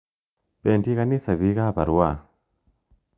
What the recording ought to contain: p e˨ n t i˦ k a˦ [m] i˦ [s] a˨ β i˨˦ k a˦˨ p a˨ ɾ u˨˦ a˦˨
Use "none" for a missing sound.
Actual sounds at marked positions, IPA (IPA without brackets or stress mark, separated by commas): n, s